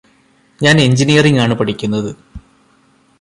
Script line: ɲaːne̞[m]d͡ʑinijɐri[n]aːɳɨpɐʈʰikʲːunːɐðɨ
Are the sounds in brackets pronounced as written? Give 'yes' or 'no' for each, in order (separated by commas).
no, no